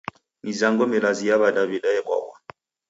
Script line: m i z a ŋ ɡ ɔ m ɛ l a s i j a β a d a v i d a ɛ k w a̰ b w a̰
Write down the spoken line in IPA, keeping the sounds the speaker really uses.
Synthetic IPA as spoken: m i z a ŋ ɡ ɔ m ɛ l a z i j a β a d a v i d a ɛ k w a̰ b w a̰